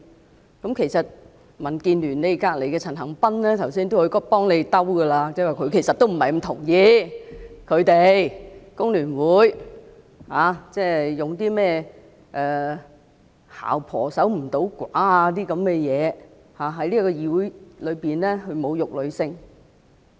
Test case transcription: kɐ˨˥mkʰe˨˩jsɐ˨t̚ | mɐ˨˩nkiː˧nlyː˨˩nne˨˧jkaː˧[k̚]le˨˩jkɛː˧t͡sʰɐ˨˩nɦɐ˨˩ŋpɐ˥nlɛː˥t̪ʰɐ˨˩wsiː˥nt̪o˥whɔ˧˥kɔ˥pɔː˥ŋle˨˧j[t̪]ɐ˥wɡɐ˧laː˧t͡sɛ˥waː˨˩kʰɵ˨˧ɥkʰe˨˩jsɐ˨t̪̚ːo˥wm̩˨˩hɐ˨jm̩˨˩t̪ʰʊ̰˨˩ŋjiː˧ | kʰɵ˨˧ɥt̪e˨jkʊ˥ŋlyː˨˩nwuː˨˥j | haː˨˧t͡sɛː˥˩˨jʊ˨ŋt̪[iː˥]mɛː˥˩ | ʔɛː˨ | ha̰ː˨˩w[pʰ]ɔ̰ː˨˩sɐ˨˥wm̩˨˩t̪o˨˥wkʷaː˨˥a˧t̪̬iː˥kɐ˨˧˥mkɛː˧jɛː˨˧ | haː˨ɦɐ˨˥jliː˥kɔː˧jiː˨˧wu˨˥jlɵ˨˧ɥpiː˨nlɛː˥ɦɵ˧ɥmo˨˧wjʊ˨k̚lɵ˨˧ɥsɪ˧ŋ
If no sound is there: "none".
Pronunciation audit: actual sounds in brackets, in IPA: k̚, t̪, iː˥, pʰ

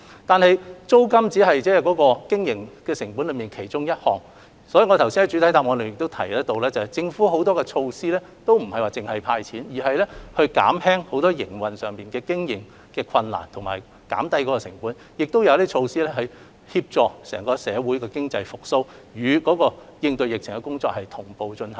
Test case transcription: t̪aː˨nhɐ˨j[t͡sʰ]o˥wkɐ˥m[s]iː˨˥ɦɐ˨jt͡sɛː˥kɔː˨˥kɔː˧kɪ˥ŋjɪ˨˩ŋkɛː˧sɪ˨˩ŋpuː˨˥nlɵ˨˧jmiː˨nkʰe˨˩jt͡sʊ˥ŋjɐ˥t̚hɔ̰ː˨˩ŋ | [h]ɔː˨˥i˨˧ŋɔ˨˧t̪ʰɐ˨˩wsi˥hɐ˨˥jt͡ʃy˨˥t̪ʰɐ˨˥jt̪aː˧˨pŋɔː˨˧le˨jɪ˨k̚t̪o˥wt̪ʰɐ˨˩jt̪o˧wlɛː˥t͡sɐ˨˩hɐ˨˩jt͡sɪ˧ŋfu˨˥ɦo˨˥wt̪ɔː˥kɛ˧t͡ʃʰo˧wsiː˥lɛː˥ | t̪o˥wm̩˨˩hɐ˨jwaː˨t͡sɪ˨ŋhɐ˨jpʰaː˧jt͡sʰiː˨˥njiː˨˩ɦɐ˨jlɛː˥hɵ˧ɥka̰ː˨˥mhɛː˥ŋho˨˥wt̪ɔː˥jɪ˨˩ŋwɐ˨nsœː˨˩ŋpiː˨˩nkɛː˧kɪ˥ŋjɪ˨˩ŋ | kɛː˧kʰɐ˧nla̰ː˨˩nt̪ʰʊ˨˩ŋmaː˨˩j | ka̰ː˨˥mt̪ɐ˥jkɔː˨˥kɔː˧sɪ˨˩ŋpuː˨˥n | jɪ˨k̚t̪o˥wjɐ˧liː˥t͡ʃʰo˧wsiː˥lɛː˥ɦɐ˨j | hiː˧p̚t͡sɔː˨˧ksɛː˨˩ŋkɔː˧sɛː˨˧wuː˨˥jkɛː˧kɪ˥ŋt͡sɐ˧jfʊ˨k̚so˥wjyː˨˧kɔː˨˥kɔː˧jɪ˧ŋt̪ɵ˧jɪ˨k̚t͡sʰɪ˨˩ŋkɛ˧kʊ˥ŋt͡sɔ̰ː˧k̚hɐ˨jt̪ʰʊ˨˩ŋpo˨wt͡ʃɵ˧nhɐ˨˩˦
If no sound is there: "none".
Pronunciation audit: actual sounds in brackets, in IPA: t͡s, t͡s, s

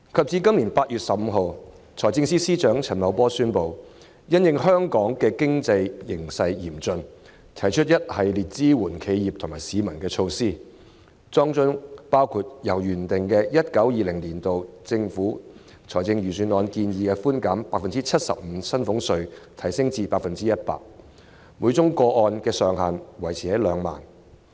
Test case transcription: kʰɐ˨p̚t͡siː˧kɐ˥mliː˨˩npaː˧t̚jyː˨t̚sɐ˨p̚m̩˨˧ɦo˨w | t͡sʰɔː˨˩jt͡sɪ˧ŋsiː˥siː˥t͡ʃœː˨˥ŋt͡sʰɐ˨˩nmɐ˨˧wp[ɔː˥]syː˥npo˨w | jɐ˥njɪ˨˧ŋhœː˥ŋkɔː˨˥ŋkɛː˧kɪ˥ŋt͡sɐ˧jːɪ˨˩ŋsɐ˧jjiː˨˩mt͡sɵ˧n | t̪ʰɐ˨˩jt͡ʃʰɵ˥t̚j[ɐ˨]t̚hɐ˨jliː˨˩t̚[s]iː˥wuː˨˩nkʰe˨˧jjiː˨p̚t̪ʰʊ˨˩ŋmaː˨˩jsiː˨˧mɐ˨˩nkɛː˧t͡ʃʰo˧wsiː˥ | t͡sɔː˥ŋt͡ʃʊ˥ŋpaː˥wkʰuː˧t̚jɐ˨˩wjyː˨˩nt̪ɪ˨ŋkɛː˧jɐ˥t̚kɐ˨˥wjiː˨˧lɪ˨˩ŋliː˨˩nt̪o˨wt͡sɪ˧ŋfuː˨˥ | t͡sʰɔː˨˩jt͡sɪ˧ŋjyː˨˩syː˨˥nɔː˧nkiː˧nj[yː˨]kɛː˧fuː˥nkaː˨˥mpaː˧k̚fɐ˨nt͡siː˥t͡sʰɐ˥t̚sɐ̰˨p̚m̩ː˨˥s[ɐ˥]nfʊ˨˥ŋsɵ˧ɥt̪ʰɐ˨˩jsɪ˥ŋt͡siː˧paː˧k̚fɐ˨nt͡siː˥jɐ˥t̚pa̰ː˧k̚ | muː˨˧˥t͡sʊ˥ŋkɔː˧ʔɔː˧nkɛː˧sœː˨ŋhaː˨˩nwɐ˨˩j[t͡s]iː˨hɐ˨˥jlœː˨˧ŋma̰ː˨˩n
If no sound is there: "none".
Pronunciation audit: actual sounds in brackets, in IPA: ɔː˥, ɐ˥, t͡s, iː˨, ɐ˥, t͡sʰ

